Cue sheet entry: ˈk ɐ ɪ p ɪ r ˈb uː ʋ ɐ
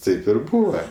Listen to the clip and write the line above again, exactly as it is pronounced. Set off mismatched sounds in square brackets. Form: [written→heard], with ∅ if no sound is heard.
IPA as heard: [ˈk→ˈt] ɐ ɪ p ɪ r ˈb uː ʋ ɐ